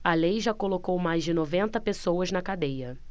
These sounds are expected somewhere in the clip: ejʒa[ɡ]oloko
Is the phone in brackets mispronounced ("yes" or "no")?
yes